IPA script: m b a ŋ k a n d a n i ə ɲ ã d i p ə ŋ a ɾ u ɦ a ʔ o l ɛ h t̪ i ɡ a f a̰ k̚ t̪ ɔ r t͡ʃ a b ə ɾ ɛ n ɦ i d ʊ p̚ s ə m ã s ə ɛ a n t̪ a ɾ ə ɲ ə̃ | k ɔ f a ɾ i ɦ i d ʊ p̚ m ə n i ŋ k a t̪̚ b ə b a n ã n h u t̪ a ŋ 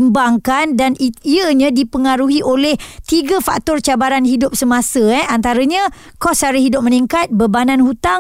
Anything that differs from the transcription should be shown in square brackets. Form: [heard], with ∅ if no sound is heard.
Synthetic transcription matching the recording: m b a ŋ k a n d a n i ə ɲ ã d i p ə ŋ a ɾ u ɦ [i] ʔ o l ɛ h t̪ i ɡ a f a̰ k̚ t̪ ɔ r t͡ʃ a b [a] ɾ [a] n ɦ i d ʊ p̚ s ə m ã s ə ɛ a n t̪ a ɾ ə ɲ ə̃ | k ɔ [s] a ɾ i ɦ i d ʊ p̚ m ə n i ŋ k a t̪̚ b ə b a n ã n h u t̪ a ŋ